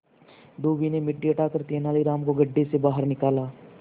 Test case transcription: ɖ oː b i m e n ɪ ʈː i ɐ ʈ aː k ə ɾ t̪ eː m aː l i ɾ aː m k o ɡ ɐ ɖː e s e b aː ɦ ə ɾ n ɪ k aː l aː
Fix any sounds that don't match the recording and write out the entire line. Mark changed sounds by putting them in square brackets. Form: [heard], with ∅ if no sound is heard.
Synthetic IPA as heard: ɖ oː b i [n] e [m] ɪ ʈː i ɐ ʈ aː k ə ɾ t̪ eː [n] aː l i ɾ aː m k o ɡ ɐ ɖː e s e b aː ɦ ə ɾ n ɪ k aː l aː